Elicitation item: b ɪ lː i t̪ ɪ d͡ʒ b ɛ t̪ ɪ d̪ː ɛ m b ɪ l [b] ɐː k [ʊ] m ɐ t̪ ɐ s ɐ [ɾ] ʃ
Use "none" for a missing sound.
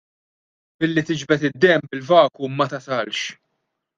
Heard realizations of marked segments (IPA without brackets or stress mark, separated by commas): v, u, l